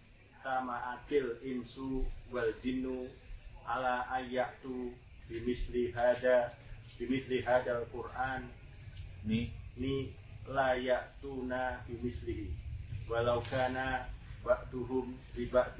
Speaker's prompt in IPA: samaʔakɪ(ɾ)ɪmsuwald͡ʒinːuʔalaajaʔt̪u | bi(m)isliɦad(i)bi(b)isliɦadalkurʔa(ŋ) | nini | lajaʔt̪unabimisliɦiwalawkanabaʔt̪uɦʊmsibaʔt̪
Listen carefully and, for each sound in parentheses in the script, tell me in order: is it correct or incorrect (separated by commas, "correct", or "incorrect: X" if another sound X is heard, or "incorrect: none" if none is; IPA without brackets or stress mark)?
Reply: incorrect: l, correct, incorrect: a, incorrect: m, incorrect: n